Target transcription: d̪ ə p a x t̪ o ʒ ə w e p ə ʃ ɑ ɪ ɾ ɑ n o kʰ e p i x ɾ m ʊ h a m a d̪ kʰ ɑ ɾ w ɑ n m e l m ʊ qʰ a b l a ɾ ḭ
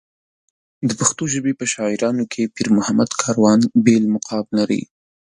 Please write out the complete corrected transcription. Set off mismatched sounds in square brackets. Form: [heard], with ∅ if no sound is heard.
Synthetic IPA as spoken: d̪ ə p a x t̪ o ʒ ə [b] e p ə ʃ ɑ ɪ ɾ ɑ n o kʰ e p i [∅] ɾ m ʊ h a m a d̪ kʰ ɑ ɾ w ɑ n [b] e l m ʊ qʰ [ɑ] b l a ɾ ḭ